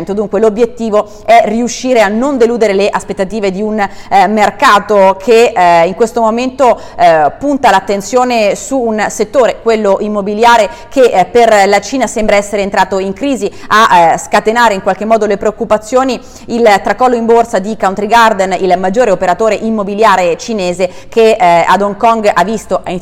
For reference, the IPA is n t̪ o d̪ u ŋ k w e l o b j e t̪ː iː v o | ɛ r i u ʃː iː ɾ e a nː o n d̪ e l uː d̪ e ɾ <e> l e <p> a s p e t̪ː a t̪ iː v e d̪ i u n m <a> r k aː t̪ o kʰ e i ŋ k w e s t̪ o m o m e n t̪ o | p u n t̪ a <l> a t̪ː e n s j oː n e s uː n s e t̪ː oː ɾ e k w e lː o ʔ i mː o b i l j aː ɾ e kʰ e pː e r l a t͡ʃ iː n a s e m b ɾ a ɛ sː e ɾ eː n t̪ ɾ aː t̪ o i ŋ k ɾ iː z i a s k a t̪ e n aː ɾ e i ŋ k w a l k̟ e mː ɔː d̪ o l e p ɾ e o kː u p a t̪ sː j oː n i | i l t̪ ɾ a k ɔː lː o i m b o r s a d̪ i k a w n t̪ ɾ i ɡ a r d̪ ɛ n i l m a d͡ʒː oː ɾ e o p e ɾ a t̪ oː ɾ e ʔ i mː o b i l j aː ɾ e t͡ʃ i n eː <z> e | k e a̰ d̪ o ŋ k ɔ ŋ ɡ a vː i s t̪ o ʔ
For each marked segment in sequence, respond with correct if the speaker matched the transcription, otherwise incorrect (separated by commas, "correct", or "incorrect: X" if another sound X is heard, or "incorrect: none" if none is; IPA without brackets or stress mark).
correct, incorrect: ʔ, incorrect: e, correct, correct